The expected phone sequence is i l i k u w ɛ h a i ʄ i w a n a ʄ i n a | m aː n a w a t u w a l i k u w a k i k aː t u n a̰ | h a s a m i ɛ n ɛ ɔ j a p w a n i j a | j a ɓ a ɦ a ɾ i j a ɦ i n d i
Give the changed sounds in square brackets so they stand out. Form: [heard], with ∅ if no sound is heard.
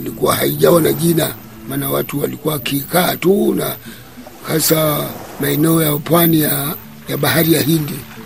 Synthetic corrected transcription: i l i k u w [a] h a i ʄ [a] w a n a ʄ i n a | m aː n a w a t u w a l i k u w a k i k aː t u n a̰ | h a s a m [a] ɛ n ɛ ɔ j a p w a n i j a | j a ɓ a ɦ a ɾ i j a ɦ i n d i